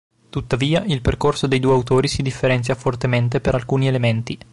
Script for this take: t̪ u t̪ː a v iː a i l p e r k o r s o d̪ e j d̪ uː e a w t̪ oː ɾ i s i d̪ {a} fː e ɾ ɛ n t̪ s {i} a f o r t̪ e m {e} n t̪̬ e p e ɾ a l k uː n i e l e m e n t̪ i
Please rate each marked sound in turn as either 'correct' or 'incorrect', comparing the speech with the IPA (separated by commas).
incorrect, incorrect, correct